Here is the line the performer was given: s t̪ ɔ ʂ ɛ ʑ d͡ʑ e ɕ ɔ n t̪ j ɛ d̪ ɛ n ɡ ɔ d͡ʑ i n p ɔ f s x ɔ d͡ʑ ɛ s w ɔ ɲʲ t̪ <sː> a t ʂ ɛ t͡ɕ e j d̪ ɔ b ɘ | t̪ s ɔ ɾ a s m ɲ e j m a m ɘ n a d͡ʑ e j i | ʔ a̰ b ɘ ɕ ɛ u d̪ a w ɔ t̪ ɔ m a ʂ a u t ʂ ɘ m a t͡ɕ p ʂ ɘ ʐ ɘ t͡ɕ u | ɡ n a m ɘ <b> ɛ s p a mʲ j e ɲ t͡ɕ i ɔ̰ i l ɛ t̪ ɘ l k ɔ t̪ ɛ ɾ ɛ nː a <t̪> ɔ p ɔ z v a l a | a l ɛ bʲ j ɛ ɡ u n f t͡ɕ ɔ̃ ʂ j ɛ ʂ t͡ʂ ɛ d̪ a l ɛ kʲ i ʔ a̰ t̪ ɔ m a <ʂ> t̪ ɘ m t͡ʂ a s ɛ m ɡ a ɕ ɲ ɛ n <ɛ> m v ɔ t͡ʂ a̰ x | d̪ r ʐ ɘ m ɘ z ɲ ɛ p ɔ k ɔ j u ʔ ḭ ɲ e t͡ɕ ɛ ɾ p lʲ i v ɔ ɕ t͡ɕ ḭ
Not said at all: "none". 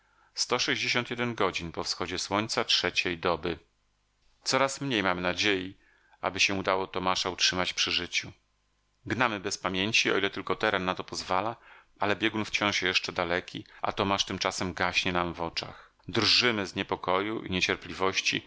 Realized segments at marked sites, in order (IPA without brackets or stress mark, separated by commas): s, b, t̪, ʂ, a